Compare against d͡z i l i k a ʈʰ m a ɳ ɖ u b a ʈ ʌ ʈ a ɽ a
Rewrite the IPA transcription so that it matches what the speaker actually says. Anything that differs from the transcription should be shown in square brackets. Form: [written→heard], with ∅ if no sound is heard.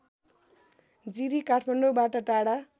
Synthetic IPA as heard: d͡z i [l→ɾ] i k a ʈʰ m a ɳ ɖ [u→o] b a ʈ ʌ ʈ a ɽ a

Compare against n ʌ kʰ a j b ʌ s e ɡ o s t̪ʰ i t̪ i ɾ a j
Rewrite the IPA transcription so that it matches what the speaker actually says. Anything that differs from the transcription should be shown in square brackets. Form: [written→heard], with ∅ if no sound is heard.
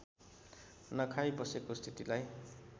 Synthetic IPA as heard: n ʌ kʰ a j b ʌ s e [ɡ→k] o s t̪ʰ i t̪ i [ɾ→l] a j

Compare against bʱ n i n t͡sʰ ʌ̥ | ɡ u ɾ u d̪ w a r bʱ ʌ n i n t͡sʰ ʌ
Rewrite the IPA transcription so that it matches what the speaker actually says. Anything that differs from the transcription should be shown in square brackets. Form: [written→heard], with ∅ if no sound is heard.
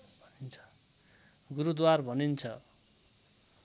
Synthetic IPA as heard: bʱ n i n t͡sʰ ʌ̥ | ɡ u ɾ u d̪ w a r bʱ ʌ n i n t͡sʰ ʌ

